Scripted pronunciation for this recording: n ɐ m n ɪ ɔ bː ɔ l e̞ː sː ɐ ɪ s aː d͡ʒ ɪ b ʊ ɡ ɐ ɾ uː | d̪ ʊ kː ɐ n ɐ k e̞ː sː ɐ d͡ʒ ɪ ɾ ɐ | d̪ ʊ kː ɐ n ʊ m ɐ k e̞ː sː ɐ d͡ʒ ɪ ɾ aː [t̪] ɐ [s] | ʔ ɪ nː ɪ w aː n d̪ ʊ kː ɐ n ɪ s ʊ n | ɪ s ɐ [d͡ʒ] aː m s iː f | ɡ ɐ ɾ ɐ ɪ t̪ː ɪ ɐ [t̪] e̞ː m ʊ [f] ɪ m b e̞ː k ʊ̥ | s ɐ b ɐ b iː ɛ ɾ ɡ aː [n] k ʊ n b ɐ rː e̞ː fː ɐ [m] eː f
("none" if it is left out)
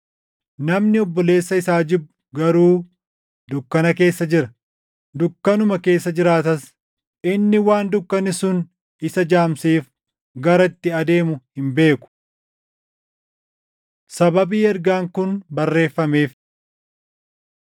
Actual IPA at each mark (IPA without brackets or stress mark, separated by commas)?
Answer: t̪, s, d͡ʒ, d̪, h, ŋ, m